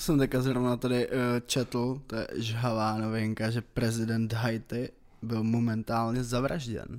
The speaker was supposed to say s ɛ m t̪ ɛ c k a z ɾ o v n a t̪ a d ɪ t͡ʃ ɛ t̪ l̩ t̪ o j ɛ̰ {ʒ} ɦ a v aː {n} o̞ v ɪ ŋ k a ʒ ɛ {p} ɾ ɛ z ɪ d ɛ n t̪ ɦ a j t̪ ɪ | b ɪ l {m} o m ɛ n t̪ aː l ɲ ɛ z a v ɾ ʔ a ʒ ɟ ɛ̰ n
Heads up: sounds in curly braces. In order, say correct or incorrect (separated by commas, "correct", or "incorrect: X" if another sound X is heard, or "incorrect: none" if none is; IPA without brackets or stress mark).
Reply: correct, correct, correct, correct